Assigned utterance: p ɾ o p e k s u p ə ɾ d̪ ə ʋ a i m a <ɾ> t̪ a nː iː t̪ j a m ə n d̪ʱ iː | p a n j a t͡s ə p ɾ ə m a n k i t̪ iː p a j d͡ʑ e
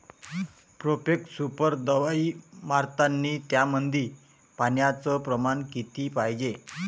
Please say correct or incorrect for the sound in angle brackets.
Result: correct